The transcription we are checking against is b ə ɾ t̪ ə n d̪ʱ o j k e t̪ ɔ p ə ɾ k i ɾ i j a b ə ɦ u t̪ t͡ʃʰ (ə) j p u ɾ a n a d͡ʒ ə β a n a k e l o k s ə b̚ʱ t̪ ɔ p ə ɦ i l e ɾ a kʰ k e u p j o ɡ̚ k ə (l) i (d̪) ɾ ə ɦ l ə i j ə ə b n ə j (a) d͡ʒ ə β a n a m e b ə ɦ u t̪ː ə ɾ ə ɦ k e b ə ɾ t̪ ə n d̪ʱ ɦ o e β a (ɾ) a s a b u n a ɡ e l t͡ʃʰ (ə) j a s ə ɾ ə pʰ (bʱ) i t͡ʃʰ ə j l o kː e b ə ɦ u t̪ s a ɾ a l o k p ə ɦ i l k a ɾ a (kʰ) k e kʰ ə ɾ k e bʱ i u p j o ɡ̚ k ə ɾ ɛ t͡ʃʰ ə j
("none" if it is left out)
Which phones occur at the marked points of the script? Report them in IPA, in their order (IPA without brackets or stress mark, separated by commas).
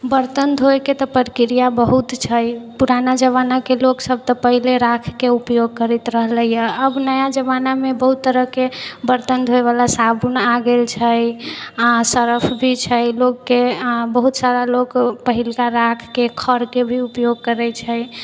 ə, ɾ, t̪, a, l, ə, bʱ, kʰ